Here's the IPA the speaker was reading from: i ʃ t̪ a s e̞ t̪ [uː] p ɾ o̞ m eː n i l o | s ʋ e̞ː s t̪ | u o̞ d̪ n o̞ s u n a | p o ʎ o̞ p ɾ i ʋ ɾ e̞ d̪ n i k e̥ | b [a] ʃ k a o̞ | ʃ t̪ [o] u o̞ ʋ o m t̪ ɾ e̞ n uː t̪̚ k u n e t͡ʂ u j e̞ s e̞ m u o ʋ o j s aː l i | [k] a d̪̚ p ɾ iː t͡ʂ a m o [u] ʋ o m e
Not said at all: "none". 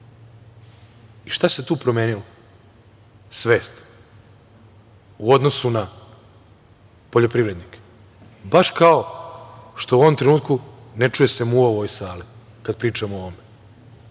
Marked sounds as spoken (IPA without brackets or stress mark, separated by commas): uː, a, o, k, o